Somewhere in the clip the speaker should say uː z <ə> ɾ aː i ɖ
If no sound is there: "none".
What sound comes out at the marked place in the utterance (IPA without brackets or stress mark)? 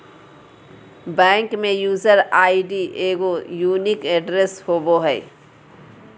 ə